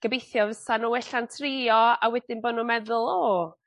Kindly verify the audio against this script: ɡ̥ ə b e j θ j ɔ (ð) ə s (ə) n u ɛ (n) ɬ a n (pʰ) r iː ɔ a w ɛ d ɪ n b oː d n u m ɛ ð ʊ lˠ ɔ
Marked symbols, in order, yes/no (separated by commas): no, no, no, no